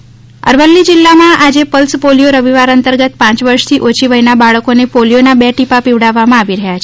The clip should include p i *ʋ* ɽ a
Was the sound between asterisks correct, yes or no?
yes